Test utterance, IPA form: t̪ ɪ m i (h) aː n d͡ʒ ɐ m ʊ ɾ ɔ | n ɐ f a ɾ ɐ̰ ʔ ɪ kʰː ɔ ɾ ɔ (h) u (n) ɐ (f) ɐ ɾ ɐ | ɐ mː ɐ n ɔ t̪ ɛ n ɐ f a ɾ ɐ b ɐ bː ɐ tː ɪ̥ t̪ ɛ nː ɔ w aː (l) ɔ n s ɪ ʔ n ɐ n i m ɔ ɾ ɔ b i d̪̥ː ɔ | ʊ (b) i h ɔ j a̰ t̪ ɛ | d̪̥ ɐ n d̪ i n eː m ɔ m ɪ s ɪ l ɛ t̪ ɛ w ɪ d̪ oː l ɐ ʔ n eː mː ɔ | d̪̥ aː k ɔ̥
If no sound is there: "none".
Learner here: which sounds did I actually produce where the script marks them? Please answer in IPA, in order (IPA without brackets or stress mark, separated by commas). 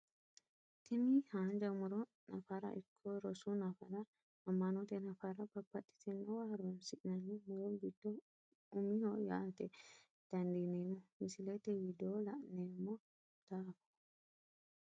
h, s, n, f, ɾ, m